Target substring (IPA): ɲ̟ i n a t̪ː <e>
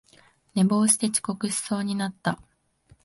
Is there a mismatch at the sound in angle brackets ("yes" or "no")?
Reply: yes